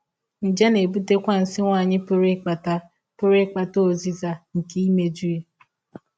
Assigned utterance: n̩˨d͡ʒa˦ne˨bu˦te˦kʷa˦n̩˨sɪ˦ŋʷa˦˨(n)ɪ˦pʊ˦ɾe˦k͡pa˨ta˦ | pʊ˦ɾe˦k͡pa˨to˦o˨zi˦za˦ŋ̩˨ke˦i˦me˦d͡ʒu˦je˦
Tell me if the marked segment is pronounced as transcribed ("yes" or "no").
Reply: no